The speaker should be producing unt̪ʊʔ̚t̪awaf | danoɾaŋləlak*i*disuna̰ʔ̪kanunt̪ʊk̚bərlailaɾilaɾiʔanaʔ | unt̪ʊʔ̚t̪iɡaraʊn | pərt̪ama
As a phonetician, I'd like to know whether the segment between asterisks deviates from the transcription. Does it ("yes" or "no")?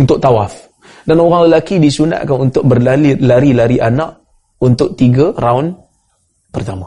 no